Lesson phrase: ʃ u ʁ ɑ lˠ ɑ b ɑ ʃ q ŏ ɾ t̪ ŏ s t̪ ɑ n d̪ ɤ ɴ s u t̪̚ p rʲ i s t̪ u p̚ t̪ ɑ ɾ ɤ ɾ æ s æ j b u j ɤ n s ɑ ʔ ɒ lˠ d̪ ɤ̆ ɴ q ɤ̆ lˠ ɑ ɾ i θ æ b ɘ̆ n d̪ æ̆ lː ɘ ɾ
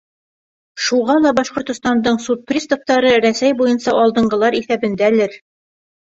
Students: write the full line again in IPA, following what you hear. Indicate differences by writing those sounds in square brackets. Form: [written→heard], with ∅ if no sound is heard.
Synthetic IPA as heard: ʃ u ʁ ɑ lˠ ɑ b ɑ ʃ q ŏ ɾ t̪ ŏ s t̪ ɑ n d̪ ɤ ɴ s u t̪̚ p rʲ i s t̪ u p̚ t̪ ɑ ɾ ɤ ɾ æ s æ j b u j ɤ n s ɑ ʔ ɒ lˠ d̪ ɤ̆ ɴ [q→ɢ] ɤ̆ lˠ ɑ ɾ i θ æ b ɘ̆ n d̪ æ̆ [lː→l] ɘ ɾ

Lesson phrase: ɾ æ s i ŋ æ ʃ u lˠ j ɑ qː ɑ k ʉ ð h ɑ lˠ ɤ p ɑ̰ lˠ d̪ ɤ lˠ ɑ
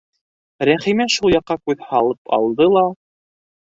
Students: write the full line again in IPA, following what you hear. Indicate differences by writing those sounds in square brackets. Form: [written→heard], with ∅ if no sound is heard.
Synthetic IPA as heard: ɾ æ [s→χ] i [ŋ→m] æ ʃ u lˠ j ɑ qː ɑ k ʉ ð h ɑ lˠ ɤ p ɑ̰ lˠ d̪ ɤ lˠ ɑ

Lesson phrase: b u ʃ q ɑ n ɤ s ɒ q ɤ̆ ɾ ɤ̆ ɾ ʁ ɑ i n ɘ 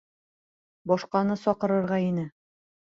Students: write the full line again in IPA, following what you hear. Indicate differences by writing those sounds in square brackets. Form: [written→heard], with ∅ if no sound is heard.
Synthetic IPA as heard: b [u→ɒ] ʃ q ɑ n ɤ s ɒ q ɤ̆ ɾ ɤ̆ ɾ ʁ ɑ i n ɘ

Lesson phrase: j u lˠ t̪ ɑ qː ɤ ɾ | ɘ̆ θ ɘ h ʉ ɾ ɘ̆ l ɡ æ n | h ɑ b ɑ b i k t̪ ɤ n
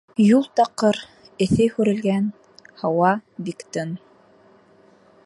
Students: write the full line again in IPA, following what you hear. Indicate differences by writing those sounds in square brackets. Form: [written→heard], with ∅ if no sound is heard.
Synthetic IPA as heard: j u lˠ t̪ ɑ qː ɤ ɾ | ɘ̆ θ ɘ h ʉ ɾ ɘ̆ l ɡ æ n | h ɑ [b→w] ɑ b i k t̪ ɤ n

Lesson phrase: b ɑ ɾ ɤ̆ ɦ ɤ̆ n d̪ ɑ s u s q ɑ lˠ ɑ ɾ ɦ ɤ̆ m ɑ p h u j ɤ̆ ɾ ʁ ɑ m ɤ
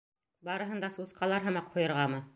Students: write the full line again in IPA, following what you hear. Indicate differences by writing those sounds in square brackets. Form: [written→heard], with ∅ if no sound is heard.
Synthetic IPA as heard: b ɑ ɾ ɤ̆ ɦ ɤ̆ n d̪ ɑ s u s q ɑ lˠ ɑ ɾ ɦ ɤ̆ m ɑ [p→q] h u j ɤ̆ ɾ ʁ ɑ m ɤ

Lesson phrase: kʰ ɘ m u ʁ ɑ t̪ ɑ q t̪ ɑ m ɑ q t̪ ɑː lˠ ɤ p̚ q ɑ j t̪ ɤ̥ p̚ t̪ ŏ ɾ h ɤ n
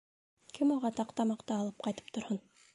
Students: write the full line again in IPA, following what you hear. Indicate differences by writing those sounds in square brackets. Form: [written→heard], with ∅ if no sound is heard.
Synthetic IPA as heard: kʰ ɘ m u ʁ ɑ t̪ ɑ q t̪ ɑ m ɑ q t̪ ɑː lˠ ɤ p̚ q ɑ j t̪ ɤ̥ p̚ t̪ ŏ ɾ h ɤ n

